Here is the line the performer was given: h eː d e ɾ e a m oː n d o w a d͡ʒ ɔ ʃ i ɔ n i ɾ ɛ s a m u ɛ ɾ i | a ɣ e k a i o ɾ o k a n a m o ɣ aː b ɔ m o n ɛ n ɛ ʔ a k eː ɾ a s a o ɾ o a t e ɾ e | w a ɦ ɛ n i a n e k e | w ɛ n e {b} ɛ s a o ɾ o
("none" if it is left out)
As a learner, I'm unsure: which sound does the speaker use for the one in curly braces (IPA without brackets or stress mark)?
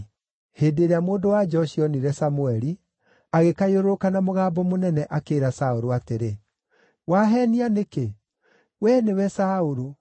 w